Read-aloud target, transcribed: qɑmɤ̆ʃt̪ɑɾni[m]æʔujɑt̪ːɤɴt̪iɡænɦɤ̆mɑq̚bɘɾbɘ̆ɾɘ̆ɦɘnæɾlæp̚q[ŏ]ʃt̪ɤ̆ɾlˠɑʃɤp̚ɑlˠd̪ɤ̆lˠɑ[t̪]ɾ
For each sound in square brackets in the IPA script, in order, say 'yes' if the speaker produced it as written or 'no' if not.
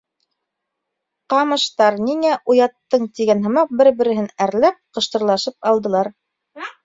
no, no, no

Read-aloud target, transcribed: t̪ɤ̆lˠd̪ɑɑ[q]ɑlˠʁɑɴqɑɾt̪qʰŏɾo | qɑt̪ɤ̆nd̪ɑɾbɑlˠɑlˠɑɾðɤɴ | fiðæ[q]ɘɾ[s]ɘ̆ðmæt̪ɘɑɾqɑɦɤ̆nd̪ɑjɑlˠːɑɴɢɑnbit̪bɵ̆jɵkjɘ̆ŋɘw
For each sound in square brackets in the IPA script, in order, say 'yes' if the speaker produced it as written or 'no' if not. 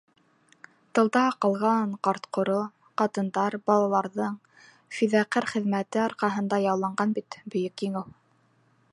yes, yes, no

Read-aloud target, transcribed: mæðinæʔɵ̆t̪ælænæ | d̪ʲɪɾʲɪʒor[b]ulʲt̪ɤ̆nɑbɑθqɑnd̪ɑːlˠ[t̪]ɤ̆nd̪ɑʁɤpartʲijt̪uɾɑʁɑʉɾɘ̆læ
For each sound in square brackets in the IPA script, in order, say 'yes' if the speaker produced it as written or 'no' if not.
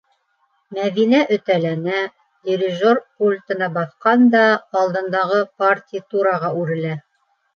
no, no

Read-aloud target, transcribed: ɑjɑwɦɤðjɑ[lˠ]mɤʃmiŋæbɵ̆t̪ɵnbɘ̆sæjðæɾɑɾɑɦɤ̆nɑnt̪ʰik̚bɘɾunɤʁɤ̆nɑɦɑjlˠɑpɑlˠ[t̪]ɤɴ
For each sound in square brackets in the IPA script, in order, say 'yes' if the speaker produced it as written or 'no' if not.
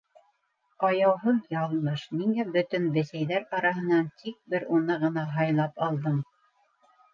yes, no

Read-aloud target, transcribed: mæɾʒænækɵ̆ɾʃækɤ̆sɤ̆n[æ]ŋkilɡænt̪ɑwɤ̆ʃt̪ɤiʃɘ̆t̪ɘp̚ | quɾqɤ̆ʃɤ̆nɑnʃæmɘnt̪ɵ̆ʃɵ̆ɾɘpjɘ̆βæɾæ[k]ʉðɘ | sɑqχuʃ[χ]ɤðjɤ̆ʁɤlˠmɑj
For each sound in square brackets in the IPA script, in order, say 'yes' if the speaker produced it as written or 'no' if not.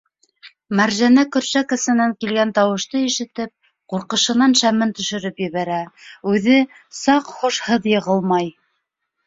yes, no, no

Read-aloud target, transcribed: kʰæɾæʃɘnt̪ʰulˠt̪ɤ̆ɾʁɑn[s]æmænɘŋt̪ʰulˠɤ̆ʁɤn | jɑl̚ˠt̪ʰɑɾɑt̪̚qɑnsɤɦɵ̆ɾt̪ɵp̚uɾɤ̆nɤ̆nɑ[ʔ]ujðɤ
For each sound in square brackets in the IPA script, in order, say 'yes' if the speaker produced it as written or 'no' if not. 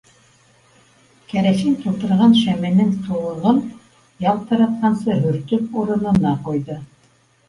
no, no

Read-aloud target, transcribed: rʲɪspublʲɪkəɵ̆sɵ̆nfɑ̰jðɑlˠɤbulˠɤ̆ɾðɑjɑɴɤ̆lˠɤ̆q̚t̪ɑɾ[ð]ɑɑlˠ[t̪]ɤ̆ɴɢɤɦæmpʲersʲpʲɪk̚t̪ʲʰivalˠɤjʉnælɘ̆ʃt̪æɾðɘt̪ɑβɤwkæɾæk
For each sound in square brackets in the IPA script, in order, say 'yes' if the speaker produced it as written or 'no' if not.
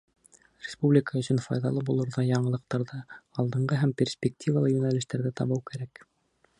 yes, no

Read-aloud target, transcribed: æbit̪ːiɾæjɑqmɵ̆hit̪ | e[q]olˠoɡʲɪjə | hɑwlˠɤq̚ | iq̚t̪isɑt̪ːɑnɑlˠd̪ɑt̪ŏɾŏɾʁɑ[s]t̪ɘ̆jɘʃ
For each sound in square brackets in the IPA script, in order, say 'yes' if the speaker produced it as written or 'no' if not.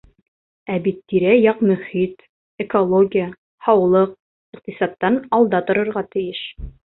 no, no

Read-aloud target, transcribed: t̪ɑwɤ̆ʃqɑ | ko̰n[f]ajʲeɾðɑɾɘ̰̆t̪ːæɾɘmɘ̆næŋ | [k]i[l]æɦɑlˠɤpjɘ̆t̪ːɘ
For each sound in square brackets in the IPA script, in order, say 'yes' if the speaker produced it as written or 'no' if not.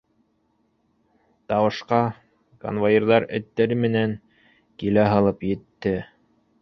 no, yes, yes

